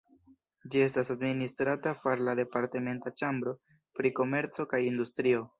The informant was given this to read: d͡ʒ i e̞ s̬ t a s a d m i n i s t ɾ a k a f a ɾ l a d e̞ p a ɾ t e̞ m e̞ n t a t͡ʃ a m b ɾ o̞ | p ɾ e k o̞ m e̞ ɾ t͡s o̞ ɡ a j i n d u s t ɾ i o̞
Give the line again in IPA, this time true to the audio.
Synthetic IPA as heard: d͡ʒ i e̞ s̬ t a s a d m i n i s t ɾ a t a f a ɾ l a d e̞ p a ɾ t e̞ m e̞ n t a t͡ʃ a m b ɾ o̞ | p ɾ i k o̞ m e̞ ɾ t͡s o̞ k a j i n d u s t ɾ i o̞